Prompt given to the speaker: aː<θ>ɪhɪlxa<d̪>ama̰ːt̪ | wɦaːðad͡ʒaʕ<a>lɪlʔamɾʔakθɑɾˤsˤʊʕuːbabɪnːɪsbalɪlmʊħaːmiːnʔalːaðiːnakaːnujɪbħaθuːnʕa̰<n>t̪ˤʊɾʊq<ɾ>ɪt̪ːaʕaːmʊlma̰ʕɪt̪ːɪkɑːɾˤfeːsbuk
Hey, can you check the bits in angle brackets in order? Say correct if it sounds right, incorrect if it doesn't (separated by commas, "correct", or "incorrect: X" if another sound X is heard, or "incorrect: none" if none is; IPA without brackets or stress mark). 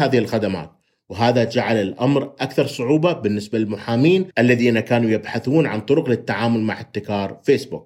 incorrect: ð, correct, correct, correct, incorrect: l